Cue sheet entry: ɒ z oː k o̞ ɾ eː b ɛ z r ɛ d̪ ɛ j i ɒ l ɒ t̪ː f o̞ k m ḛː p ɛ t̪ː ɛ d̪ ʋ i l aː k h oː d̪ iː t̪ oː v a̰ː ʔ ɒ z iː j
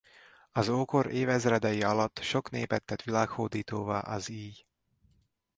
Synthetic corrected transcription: ɒ z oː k o̞ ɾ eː v ɛ z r ɛ d̪ ɛ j i ɒ l ɒ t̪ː ʃ o̞ k n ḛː p ɛ t̪ː ɛ t̪ ʋ i l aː k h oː d̪ iː t̪ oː v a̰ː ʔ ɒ z iː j